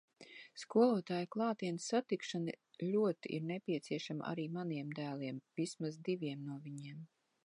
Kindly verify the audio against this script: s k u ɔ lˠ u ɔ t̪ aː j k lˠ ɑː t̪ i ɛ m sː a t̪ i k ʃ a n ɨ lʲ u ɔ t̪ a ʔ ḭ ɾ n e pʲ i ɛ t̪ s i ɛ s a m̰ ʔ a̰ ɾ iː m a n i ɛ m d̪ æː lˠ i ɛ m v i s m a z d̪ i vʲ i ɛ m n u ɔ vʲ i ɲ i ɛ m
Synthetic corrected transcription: s k u ɔ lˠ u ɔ t̪ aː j k lˠ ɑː t̪ i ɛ n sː a t̪ i k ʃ a n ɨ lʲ u ɔ t̪ i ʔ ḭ ɾ n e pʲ i ɛ t̪ s i ɛ ʃ a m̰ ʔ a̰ ɾ iː m a n i ɛ m d̪ æː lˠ i ɛ m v i s m a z d̪ i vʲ i ɛ m n u ɔ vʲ i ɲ i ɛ m